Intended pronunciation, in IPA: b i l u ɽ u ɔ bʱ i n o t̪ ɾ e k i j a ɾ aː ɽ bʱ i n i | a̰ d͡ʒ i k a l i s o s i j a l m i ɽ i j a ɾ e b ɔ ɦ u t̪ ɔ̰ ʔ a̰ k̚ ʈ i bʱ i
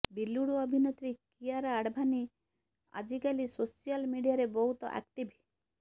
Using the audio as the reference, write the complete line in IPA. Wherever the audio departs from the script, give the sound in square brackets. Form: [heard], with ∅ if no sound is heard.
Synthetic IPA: b i l u ɽ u ɔ bʱ i n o t̪ ɾ [i] k i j a ɾ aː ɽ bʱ [a] n i | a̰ d͡ʒ i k a l i s o s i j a l m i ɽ i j a ɾ e b ɔ ɦ u t̪ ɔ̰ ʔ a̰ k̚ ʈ i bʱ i